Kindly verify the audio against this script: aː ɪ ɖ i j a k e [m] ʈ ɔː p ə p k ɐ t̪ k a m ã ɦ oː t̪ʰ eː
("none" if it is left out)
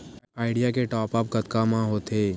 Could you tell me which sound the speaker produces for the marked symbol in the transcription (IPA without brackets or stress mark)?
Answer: none